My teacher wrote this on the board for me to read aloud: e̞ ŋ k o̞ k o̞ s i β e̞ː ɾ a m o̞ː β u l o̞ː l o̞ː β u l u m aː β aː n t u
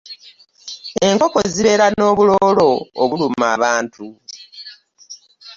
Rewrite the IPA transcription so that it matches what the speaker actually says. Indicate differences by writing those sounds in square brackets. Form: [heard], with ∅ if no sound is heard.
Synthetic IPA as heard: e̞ ŋ k o̞ k o̞ [z] i β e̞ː ɾ a [n] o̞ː β u l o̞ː l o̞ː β u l u m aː β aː n t u

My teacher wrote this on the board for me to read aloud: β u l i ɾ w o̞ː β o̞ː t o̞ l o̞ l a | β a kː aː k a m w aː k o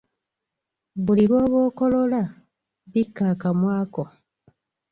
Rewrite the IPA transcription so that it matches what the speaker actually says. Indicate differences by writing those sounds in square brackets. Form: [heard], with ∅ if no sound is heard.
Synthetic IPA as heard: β u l i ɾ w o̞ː β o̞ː [k] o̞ l o̞ l a | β [i] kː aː k a m w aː k o

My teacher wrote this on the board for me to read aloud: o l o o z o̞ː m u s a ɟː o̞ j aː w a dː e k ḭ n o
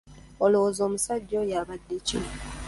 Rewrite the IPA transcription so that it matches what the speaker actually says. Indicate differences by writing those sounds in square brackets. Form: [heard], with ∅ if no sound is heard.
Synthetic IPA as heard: o l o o z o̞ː m u s a ɟː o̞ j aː [β] a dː e [c] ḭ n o

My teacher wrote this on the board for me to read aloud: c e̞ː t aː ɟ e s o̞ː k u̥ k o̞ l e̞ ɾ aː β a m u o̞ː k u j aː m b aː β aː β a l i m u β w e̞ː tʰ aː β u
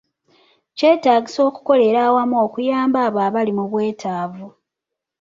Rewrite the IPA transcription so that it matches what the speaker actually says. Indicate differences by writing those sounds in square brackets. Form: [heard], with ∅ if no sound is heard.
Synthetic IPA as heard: c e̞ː t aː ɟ [i] s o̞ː k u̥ k o̞ l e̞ ɾ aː [w] a m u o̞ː k u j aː m b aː β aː β a l i m u β w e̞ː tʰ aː [v] u

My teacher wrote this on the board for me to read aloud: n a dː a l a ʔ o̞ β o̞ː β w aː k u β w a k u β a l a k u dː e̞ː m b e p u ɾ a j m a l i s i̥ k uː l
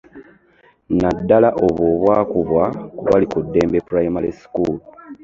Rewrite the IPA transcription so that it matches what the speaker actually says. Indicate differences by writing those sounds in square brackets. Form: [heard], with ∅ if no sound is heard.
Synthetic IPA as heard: n a dː a l a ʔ o̞ β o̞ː β w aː k u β w a k u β a l [i] k u dː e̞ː m b e p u ɾ a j m a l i s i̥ k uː l

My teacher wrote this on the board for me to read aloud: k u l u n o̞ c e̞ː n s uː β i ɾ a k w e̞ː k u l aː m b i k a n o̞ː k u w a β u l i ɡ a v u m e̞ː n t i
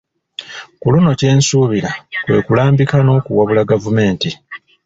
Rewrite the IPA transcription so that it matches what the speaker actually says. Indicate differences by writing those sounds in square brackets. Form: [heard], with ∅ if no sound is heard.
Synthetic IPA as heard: k u l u n o̞ c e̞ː n s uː β i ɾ a k w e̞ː k u l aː m b i k a n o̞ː k u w a β u l [a] ɡ a v u m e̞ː n t i

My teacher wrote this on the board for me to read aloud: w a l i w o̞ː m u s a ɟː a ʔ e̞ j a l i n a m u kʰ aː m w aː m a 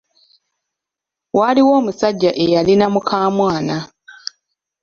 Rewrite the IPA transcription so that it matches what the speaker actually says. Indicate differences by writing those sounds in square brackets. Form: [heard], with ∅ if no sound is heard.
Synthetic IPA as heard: w a l i w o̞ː m u s a ɟː a ʔ e̞ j a l i n a m u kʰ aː m w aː [n] a

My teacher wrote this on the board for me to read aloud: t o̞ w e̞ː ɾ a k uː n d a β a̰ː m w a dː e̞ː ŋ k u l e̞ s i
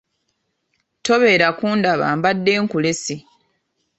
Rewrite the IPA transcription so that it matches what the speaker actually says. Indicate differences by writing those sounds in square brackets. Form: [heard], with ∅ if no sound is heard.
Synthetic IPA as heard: t o̞ [β] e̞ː ɾ a k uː n d a β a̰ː m [b] a dː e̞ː ŋ k u l e̞ s i

